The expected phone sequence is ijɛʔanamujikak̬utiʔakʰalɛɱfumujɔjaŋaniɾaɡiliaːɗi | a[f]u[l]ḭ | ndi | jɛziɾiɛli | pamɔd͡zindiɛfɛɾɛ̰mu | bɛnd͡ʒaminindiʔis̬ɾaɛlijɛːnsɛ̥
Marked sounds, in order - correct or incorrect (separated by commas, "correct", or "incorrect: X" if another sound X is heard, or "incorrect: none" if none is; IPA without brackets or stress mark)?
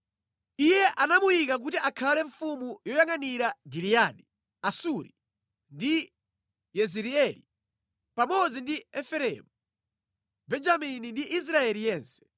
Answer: incorrect: s, incorrect: ɾ